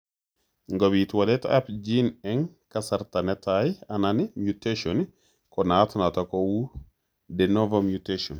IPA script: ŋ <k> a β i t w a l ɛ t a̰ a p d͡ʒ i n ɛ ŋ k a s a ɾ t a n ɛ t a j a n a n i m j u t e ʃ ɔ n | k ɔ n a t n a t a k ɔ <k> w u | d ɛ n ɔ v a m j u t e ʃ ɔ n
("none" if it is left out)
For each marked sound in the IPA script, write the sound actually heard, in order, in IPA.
ɡ, none

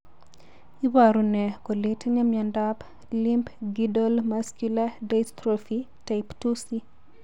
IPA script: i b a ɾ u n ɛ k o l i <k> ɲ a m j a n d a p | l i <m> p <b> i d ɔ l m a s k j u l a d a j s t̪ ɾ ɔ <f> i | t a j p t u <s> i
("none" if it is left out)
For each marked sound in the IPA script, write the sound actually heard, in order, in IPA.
t, m, ɡ, f, s

